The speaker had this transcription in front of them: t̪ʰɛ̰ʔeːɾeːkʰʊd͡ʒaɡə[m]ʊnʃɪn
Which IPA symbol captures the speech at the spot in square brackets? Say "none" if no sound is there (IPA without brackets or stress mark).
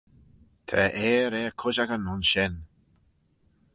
n